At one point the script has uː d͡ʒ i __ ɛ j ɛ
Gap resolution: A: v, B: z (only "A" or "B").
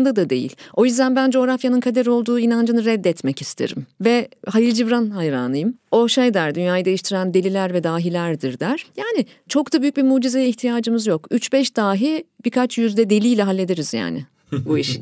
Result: B